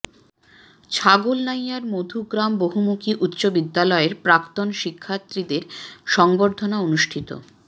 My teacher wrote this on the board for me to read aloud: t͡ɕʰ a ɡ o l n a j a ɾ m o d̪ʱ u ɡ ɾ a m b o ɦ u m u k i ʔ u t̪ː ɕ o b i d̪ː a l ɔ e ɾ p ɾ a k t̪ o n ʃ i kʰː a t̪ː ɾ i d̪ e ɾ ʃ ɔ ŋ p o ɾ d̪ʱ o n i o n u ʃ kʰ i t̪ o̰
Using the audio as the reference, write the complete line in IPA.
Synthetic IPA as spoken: t͡ɕʰ a ɡ o l n a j a ɾ m o d̪ʱ u ɡ ɾ a m b o ɦ u m u k i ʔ u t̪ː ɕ o b i d̪ː a l ɔ e ɾ p ɾ a k t̪ o n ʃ i kʰː a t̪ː ɾ i d̪ e ɾ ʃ ɔ ŋ b o ɾ d̪ʱ o n a o n u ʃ ʈʰ i t̪ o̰